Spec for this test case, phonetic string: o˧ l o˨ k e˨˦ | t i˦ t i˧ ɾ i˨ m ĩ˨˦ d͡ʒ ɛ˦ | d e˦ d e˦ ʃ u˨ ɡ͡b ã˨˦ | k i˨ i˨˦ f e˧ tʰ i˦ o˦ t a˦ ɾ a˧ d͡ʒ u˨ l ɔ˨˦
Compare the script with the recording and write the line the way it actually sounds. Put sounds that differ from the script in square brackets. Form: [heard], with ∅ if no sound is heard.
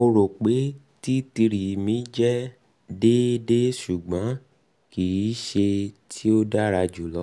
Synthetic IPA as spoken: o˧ [ɾ] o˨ [k͡p] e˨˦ | t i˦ t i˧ ɾ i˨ m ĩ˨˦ d͡ʒ ɛ˦ | d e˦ d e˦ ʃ u˨ ɡ͡b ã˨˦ | k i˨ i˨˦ [ʃ] e˧ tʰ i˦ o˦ [d] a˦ ɾ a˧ d͡ʒ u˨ l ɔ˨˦